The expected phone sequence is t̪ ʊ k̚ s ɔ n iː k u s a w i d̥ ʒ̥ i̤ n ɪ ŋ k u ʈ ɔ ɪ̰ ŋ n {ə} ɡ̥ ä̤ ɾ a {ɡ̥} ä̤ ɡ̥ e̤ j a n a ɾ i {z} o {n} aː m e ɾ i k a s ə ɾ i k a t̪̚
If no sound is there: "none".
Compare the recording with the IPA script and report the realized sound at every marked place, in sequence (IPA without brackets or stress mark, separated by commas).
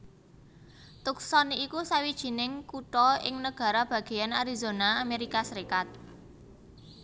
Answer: ə, b̥, z, n